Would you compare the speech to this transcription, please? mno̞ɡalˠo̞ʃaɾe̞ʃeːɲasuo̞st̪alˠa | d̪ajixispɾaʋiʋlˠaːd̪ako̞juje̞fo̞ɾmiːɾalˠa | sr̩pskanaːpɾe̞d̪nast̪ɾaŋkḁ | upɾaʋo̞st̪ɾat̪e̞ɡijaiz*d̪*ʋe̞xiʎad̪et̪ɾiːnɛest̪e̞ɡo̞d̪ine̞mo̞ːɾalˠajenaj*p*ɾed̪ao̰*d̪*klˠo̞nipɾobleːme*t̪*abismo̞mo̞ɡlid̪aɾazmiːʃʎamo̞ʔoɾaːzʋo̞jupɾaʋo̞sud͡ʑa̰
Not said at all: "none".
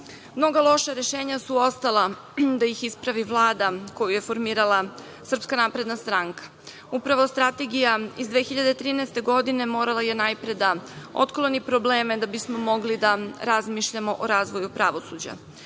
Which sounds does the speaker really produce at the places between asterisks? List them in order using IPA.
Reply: d̪, p, t̪, d̪

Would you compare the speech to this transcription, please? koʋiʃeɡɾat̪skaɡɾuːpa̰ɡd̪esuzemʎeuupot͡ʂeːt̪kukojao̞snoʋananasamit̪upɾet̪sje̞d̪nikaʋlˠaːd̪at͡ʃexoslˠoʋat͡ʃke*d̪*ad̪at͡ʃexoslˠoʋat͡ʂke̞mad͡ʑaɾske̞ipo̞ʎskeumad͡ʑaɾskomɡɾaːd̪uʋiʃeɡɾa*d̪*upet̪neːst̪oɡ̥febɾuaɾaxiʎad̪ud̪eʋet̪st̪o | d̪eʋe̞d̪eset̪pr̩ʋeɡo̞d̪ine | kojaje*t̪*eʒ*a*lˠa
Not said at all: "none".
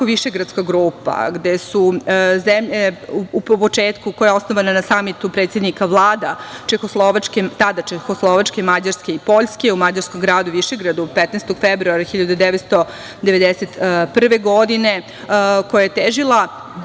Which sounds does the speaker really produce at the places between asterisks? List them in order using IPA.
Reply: t̪, d̪, t̪, i

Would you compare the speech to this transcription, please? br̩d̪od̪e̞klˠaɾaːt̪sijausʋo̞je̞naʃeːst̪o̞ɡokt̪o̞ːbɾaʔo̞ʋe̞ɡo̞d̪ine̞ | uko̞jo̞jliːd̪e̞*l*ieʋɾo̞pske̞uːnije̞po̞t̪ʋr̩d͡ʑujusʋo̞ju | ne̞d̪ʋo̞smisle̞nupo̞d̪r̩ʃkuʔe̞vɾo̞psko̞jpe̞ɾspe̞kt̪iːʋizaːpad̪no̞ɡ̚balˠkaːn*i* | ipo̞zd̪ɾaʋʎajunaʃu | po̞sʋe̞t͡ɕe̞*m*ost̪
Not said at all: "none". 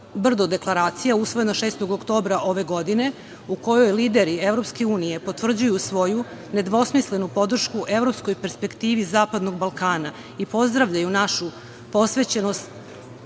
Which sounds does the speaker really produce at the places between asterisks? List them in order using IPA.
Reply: ɾ, a, n

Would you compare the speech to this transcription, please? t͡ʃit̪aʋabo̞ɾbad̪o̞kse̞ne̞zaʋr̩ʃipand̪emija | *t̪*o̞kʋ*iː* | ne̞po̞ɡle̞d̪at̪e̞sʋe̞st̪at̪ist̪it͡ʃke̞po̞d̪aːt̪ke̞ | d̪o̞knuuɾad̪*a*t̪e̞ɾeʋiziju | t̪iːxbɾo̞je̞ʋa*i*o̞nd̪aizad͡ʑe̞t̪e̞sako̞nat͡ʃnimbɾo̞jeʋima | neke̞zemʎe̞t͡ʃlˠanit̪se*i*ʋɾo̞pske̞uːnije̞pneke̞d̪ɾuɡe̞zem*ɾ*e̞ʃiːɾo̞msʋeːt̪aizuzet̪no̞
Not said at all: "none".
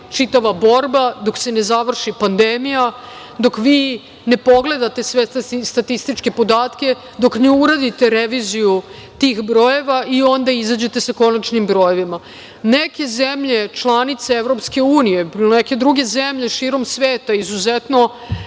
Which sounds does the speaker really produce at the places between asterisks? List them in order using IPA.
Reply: d̪, iː, i, i, e, ʎ

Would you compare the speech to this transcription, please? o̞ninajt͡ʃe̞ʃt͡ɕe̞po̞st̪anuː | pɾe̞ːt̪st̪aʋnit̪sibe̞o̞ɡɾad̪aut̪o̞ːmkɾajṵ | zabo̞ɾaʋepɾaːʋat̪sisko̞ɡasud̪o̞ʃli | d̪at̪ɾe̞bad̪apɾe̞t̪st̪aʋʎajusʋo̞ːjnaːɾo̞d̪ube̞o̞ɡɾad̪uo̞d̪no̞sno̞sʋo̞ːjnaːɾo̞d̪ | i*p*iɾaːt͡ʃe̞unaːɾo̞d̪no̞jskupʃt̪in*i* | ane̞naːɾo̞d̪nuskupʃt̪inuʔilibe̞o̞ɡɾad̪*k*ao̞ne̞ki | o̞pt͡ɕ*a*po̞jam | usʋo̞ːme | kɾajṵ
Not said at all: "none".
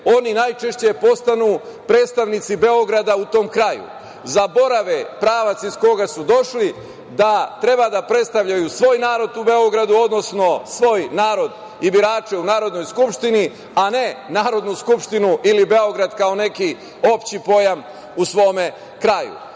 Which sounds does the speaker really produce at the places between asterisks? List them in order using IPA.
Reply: b, i, k, i

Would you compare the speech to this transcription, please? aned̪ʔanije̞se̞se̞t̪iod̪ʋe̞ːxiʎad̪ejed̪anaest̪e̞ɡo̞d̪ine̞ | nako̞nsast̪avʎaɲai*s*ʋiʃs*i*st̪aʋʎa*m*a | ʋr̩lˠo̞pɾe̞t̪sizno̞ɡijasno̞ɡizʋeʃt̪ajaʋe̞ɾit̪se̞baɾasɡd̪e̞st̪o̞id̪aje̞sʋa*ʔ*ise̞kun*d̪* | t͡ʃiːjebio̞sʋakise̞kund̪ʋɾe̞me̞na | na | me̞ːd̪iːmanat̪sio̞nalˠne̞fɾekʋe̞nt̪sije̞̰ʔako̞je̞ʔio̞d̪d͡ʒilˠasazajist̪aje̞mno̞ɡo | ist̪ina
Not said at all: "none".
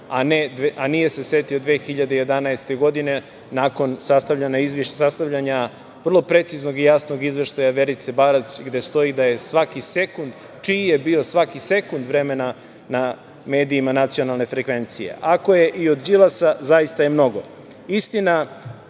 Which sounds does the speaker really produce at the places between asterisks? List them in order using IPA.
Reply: z, a, ɲ, k, d̪

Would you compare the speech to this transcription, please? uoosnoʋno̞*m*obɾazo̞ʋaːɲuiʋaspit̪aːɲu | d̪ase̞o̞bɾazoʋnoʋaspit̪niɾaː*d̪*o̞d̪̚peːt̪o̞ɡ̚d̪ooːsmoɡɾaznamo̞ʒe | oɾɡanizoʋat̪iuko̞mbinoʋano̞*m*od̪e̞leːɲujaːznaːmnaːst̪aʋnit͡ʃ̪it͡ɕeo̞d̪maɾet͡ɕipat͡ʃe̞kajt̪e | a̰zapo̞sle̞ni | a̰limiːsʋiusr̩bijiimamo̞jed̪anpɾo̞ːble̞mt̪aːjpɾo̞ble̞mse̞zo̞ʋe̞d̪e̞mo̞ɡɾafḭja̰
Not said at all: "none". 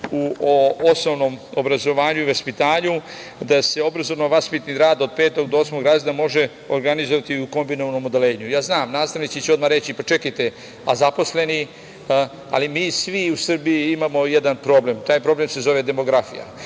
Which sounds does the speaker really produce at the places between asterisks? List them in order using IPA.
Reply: m, d̪, m

